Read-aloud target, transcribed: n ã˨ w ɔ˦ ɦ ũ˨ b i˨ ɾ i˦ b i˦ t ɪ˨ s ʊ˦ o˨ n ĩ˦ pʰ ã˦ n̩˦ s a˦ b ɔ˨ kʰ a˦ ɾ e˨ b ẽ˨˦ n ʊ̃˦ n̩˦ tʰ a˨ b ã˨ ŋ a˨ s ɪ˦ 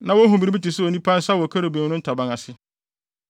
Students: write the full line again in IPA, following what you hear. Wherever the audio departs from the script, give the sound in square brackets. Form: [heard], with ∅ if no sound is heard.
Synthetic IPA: n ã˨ w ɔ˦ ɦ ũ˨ b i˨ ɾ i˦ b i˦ t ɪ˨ s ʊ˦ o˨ n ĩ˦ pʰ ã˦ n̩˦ s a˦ [w] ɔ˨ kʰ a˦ ɾ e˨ b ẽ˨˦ n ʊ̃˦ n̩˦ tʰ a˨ b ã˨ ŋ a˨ s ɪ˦